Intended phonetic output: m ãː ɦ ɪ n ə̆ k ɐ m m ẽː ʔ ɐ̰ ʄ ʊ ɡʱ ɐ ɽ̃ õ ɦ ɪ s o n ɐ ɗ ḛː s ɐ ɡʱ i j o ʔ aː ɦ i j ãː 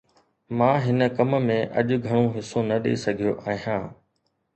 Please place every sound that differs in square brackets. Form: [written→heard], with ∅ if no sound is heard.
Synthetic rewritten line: m ãː ɦ ɪ n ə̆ k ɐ m m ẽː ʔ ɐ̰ ʄ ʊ ɡʱ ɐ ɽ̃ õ ɦ ɪ s o n ɐ ɗ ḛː s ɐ ɡʱ i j o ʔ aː ɦ i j ãː